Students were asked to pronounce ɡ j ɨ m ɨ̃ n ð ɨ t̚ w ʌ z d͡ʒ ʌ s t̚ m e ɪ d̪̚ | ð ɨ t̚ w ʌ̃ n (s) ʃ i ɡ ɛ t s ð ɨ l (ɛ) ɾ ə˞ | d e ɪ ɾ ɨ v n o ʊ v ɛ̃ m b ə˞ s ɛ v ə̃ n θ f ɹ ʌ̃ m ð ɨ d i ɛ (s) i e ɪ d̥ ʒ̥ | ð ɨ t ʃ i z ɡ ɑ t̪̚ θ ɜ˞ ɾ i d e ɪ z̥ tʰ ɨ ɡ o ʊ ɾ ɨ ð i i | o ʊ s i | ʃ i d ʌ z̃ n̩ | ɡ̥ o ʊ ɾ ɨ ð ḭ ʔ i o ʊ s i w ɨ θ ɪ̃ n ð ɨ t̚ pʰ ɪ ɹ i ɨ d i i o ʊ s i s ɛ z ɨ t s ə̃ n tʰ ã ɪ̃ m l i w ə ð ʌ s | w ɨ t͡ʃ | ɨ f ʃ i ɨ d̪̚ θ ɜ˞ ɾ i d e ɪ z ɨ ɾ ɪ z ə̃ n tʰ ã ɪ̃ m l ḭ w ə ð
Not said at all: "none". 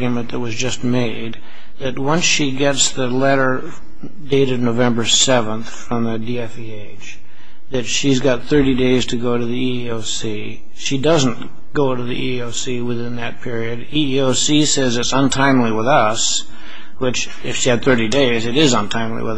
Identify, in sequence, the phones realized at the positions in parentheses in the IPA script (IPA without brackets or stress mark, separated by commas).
s, ɛ, f